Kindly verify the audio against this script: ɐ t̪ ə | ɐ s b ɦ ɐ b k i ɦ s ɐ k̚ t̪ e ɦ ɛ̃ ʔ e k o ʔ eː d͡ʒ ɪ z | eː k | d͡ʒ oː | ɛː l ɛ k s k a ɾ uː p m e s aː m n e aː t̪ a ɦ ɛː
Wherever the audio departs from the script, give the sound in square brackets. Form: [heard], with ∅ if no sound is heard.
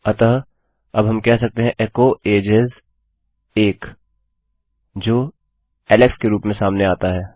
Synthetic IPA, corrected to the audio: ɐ t̪ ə | ɐ [∅] b ɦ ɐ [m] k [ɛ] ɦ s ɐ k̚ t̪ e ɦ ɛ̃ ʔ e k o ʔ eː d͡ʒ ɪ z | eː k | d͡ʒ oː | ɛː l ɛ k s k [e] ɾ uː p m [ẽ] s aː m n e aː t̪ a ɦ ɛː